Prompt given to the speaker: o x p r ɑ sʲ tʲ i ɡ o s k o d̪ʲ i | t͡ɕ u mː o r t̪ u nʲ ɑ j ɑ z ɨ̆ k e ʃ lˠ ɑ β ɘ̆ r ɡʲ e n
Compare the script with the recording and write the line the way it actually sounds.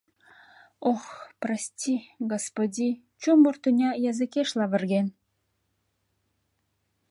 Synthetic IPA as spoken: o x p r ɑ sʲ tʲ i ɡ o s p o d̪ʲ i | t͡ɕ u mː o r t̪ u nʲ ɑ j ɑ z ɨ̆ k e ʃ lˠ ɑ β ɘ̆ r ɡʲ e n

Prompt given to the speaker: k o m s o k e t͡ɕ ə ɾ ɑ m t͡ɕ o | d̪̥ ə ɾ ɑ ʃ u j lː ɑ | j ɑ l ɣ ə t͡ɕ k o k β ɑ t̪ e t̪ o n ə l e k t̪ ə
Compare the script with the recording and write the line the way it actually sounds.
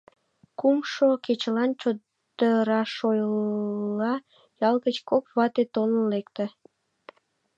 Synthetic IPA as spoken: k u m ʃ o k e t͡ɕ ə l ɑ n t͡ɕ o | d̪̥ ə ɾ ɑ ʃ o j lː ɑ | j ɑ l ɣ ə t͡ɕ k o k β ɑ t̪ e t̪ o n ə l e k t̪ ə

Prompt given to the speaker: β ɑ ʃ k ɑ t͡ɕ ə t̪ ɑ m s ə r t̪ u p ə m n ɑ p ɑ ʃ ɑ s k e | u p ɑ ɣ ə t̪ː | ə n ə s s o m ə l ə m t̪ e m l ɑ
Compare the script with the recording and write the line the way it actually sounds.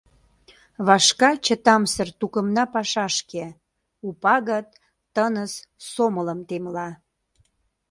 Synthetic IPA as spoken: β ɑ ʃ k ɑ t͡ɕ ə t̪ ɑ m s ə r t̪ u k ə m n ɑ p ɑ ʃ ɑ ʃ k e | u p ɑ ɣ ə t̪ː | ə n ə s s o m ə l ə m t̪ e m l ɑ

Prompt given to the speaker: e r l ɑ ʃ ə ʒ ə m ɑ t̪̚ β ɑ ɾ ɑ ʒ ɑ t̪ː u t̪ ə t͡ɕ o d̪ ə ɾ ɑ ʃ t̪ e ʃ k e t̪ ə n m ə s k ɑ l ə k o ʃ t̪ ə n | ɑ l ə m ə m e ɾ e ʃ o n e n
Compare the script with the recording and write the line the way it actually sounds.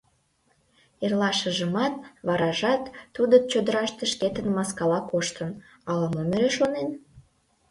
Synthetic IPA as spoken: e r l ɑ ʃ ə ʒ ə m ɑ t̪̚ β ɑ ɾ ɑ ʒ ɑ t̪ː u d̪ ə t͡ɕ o d̪ ə ɾ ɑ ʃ t̪ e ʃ k e t̪ ə n m ɑ s k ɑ l ɑ k o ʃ t̪ ə n | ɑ l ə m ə m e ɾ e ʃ o n e n

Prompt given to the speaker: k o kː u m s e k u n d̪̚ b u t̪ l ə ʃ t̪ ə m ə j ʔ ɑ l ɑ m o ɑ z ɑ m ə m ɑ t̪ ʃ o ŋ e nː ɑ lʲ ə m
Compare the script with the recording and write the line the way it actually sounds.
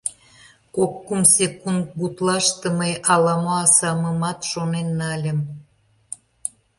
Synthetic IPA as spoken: k o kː u m s e k u n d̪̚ b u t̪ l ɑ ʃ t̪ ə m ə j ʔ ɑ l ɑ m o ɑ s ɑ m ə m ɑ t̪ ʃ o n e nː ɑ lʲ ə m

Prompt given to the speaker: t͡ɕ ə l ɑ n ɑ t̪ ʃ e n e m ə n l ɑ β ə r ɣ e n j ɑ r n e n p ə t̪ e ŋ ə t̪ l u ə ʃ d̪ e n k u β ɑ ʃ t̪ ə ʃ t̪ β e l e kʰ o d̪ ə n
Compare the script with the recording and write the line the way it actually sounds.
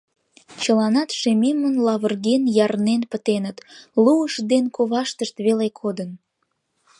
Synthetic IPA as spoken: t͡ɕ ə l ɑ n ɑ t̪ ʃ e m e m ə n l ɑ β ə r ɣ e n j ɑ r n e n p ə t̪ e n ə t̪ l u ə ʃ d̪ e n k o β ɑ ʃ t̪ ə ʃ t̪ β e l e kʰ o d̪ ə n

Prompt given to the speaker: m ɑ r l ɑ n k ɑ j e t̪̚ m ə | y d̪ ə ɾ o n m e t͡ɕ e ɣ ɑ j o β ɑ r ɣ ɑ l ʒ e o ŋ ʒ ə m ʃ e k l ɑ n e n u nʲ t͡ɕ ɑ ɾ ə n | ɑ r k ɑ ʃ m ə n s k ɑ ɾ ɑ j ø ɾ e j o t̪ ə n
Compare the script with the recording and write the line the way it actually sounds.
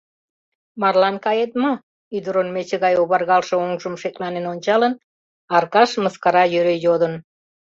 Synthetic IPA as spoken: m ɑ r l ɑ n k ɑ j e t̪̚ m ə | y d̪ ə ɾ o n m e t͡ɕ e ɣ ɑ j o β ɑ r ɣ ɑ l ʃ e o ŋ ʒ ə m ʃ e k l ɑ n e n o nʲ t͡ɕ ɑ l ə n | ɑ r k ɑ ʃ m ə s k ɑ ɾ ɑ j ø ɾ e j o d̪ ə n

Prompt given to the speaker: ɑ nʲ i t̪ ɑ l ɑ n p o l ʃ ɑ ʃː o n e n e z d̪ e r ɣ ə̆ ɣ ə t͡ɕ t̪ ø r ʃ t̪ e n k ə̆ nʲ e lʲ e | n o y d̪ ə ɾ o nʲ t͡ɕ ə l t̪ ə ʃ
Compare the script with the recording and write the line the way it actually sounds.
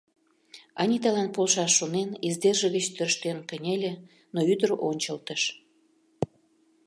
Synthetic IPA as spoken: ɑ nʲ i t̪ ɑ l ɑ n p o l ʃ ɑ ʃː o n e n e z d̪ e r ʒ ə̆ ɣ ə t͡ɕ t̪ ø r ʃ t̪ e n k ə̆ nʲ e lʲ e | n o y d̪ ə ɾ o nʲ t͡ɕ ə l t̪ ə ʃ

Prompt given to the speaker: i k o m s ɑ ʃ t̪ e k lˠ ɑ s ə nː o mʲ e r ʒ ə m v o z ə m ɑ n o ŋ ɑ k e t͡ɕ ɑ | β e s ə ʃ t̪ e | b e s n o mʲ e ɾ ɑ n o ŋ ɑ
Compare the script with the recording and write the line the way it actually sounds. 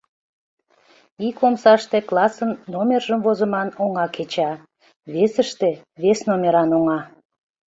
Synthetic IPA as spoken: i k o m s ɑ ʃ t̪ e k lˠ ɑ s ə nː o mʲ e r ʒ ə m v o z ə m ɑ n o ŋ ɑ k e t͡ɕ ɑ | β e s ə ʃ t̪ e | β e s n o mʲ e ɾ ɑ n o ŋ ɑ

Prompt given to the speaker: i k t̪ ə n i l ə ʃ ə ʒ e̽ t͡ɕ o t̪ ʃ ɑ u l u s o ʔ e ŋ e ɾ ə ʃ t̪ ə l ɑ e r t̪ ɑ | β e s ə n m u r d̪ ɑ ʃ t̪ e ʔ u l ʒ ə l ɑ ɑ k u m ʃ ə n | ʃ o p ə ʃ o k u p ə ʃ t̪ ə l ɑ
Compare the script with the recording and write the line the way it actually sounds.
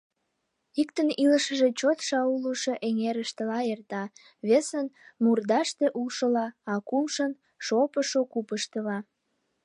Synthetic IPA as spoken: i k t̪ ə n i l ə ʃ ə ʒ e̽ t͡ɕ o t̪ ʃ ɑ u l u ʃ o ʔ e ŋ e ɾ ə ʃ t̪ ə l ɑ e r t̪ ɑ | β e s ə n m u r d̪ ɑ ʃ t̪ e ʔ u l ʃ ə l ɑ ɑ k u m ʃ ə n | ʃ o p ə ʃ o k u p ə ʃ t̪ ə l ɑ

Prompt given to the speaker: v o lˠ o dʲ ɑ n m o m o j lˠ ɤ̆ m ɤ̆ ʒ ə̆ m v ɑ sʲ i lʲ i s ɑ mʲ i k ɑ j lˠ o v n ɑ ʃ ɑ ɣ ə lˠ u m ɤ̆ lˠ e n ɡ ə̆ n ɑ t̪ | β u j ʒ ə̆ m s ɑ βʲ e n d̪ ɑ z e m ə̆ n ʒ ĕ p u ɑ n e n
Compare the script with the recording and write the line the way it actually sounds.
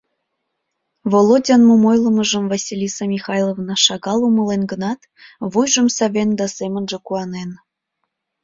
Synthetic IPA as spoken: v o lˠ o dʲ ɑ n m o m o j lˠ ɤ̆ m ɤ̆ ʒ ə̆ m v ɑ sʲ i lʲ i s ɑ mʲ i x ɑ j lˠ o v n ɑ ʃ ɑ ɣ ɑ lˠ u m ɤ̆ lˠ e n ɡ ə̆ n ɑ t̪ | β u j ʒ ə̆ m s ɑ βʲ e n d̪ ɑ s e m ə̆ n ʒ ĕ k u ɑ n e n

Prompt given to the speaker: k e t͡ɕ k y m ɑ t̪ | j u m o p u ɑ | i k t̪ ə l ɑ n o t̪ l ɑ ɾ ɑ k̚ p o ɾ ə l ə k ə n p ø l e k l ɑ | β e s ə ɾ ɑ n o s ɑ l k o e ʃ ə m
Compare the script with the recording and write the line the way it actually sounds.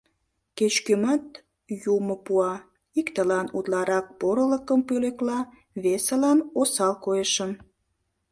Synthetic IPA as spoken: k e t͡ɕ k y m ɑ t̪ | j u m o p u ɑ | i k t̪ ə l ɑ n u t̪ l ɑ ɾ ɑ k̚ p o ɾ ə l ə k ə m p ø l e k l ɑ | β e s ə l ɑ n o s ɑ l k o e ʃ ə m

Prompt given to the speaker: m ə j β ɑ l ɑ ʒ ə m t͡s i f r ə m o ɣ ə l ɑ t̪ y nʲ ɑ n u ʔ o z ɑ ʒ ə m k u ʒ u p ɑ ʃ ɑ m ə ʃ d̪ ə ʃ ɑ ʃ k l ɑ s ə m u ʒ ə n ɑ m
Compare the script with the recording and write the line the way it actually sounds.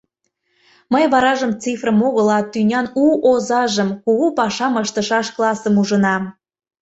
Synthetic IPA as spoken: m ə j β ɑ ɾ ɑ ʒ ə m t͡s i f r ə m o ɣ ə l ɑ t̪ y nʲ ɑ n u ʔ o z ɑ ʒ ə m k u ɣ u p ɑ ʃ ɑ m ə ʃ t̪ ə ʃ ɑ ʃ k l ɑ s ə m u ʒ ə n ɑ m

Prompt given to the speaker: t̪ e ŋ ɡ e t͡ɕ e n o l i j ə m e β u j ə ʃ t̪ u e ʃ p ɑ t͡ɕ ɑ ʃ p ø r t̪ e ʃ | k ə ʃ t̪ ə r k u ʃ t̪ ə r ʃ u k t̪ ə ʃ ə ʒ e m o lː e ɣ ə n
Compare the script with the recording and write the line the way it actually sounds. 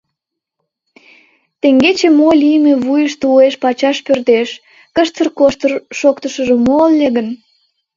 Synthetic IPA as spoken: t̪ e ŋ ɡ e t͡ɕ e m o l i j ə m e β u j ə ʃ t̪ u e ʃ p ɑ t͡ɕ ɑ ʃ p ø r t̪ e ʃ | k ə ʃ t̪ ə r k o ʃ t̪ ə r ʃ o k t̪ ə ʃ ə ʒ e m o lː e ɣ ə n

